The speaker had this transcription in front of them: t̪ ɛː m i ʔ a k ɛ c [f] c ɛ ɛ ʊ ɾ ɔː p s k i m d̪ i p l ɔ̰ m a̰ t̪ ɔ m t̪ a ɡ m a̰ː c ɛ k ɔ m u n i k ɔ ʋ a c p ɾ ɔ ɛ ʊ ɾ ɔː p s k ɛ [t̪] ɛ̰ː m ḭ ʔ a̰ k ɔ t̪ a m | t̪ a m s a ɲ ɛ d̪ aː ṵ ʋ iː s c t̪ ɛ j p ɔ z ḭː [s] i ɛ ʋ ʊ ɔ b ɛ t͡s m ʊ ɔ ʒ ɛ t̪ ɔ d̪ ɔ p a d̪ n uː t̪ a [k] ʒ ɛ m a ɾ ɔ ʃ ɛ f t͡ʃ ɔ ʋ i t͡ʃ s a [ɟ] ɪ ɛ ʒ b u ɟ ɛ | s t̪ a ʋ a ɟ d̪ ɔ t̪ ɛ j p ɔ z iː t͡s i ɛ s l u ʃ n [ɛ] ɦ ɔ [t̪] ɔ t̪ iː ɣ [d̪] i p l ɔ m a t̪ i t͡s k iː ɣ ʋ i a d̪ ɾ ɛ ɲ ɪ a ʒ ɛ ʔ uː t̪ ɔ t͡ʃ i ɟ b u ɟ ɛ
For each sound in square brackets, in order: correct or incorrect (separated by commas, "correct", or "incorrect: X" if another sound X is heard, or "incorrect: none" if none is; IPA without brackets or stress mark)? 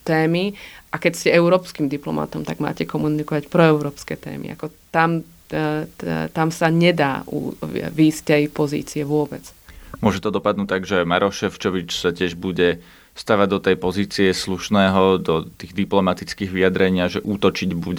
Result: incorrect: s, correct, incorrect: t͡s, incorrect: ɡ, incorrect: c, incorrect: ɛː, incorrect: d̪, correct